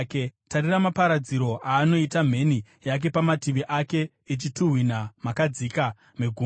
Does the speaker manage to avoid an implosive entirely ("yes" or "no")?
yes